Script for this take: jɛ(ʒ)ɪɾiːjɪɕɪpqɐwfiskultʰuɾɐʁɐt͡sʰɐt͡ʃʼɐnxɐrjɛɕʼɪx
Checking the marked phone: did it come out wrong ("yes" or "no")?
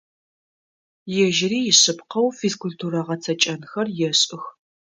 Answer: no